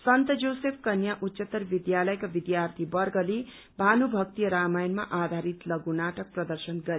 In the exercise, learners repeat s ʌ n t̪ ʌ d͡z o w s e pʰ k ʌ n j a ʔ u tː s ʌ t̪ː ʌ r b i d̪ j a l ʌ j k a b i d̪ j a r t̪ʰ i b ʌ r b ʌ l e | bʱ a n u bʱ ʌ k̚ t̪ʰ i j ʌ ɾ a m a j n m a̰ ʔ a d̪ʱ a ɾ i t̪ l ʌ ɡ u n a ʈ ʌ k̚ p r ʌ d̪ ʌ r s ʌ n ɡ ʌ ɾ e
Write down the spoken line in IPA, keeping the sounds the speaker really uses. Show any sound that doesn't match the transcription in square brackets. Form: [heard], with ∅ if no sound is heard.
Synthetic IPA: s ʌ n t̪ ʌ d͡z o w s e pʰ k ʌ n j a ʔ u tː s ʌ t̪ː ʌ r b i d̪ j a l ʌ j k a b i d̪ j a r t̪ʰ i b ʌ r [ɡ] ʌ l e | bʱ a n u bʱ ʌ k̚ [t̪] i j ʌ ɾ a m a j n m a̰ ʔ a d̪ʱ a ɾ i t̪ l ʌ ɡ u n a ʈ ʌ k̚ p r ʌ d̪ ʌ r s ʌ n ɡ ʌ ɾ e